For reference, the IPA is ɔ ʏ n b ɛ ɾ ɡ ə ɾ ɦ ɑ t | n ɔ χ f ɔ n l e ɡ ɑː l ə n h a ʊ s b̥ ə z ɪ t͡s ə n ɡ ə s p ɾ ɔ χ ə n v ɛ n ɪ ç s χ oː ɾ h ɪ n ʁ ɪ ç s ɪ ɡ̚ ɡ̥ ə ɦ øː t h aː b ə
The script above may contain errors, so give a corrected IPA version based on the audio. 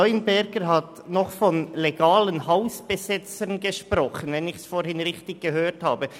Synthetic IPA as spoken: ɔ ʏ n b ɛ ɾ ɡ ə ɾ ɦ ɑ t | n ɔ χ f ɔ n l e ɡ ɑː l ə n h a ʊ s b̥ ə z ɪ t͡s ə n ɡ ə ʃ p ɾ ɔ χ ə n v ɛ n ɪ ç s f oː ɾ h ɪ n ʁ ɪ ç t ɪ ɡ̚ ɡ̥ ə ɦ øː t h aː b ə